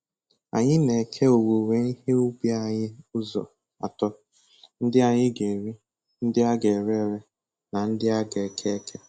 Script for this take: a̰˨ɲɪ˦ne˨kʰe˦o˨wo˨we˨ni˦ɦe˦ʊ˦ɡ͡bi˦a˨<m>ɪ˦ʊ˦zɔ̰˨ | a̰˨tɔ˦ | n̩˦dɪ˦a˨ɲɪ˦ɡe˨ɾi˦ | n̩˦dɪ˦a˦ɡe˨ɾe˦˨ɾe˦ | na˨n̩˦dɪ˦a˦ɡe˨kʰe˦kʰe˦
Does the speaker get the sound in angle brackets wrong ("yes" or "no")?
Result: yes